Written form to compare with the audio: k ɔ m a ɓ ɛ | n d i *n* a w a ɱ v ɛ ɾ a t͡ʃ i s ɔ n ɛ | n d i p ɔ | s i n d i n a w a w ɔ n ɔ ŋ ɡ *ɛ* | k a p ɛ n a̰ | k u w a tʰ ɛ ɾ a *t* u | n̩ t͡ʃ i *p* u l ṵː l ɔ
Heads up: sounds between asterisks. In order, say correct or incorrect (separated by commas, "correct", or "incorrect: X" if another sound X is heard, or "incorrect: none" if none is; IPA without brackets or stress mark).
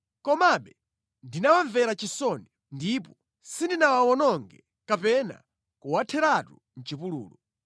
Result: correct, correct, correct, correct